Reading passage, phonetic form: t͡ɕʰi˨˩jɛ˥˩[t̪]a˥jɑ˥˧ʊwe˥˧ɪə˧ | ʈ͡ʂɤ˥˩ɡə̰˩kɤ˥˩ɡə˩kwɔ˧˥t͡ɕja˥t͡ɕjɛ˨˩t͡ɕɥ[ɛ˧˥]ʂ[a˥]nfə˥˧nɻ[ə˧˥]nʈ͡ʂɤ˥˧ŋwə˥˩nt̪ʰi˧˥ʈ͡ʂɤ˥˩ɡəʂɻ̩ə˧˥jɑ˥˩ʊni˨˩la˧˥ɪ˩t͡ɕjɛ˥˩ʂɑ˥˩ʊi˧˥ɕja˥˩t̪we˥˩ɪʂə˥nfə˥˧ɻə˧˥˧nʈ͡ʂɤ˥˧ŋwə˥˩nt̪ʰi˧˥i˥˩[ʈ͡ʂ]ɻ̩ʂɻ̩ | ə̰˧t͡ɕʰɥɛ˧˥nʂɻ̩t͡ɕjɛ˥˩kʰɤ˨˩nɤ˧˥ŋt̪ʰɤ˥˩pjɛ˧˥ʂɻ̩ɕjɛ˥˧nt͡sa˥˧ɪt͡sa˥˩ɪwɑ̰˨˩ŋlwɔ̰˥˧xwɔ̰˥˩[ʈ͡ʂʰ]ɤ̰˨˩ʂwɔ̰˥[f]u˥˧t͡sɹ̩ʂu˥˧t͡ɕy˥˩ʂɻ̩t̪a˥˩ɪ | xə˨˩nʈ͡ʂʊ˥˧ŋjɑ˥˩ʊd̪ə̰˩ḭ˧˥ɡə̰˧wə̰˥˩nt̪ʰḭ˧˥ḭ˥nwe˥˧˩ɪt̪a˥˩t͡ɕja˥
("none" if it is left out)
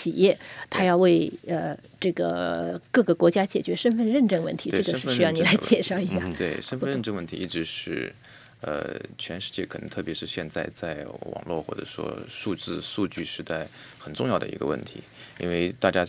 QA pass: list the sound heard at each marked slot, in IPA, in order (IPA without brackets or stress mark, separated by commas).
t̪ʰ, ɛ˧˥, ə˥, ə˥˧, ʈ͡ʂ, ʈ͡ʂ, ʂ